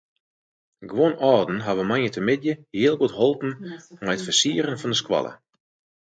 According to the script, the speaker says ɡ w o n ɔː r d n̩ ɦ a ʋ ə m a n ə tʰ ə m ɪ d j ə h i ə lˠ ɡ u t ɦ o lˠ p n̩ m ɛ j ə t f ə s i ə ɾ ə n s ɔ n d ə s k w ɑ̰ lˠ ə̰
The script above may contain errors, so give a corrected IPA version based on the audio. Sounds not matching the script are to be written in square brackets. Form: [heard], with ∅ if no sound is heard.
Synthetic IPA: ɡ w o n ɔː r d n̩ ɦ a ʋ ə m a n ə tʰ ə m ɪ d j ə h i ə lˠ ɡ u t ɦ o lˠ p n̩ m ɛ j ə t f ə s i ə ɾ ə n [f] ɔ n d ə s k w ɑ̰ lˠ ə̰